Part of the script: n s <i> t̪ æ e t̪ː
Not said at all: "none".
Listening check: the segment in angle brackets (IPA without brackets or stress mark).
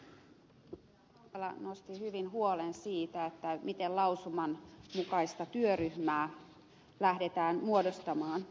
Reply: iː